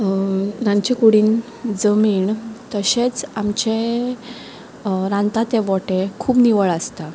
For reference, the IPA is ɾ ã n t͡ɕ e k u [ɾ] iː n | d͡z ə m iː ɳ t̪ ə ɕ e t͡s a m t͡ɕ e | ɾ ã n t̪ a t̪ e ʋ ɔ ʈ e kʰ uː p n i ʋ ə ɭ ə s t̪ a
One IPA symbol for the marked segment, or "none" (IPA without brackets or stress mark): ɽ